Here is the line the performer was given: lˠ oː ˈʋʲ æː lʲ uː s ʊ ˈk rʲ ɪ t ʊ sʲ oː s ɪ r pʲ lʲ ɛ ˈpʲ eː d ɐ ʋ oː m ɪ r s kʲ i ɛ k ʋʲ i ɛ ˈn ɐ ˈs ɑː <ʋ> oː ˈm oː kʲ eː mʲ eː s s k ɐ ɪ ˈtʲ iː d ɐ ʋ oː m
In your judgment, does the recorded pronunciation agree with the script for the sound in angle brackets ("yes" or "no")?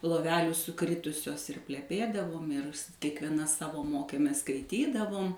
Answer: yes